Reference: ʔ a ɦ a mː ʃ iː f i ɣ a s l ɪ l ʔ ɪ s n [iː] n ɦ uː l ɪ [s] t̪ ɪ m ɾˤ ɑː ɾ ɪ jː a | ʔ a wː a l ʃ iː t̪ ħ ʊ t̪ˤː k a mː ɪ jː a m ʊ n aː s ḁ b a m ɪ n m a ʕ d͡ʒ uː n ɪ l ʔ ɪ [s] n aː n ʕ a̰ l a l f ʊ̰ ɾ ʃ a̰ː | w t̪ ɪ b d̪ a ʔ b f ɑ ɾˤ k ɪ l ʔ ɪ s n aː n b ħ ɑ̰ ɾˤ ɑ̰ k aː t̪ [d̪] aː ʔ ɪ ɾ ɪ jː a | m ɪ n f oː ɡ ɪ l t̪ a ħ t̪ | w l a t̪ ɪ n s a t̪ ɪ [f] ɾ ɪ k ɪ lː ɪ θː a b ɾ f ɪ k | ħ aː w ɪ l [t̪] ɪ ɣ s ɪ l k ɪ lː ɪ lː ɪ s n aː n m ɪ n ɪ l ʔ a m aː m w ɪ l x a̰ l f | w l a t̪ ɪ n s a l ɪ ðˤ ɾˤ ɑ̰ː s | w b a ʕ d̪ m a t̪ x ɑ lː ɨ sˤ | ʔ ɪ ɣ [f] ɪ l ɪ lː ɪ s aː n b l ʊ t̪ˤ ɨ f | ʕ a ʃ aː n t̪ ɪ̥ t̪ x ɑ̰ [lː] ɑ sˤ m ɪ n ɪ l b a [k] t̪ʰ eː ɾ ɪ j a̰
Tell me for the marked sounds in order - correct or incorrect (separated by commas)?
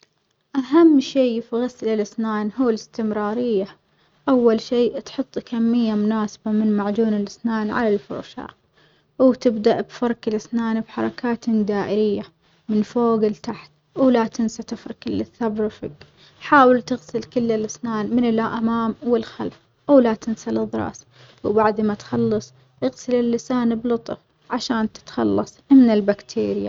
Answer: incorrect, correct, correct, correct, correct, correct, incorrect, correct, correct